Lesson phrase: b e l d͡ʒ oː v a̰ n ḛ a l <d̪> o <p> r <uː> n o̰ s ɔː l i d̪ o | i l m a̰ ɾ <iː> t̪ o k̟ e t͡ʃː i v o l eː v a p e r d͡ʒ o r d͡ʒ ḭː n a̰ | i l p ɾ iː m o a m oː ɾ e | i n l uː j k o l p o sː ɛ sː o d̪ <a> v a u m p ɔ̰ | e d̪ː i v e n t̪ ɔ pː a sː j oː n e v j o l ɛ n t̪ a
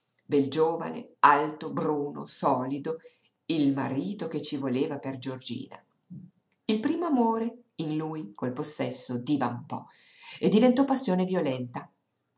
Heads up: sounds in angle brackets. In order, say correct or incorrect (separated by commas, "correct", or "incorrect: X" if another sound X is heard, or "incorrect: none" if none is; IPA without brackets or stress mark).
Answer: incorrect: t̪, incorrect: b, correct, correct, incorrect: i